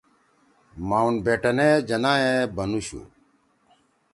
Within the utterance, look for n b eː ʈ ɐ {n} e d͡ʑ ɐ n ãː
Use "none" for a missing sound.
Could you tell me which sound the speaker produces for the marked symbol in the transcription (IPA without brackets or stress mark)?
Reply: n